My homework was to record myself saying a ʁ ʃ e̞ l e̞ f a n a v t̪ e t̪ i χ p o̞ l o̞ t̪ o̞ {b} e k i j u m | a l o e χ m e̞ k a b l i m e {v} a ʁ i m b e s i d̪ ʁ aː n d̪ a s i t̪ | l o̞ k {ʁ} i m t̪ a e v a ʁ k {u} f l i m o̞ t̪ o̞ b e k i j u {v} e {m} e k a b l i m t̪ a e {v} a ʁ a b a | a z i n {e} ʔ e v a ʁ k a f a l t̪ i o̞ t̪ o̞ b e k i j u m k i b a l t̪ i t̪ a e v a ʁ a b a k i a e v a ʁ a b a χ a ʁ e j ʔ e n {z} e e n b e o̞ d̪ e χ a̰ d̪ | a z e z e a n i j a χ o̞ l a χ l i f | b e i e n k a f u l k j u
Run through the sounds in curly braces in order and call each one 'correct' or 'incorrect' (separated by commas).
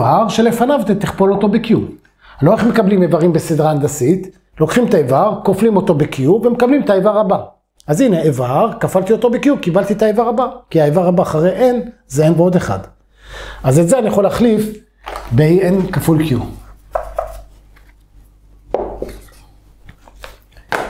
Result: correct, correct, incorrect, incorrect, correct, correct, correct, correct, correct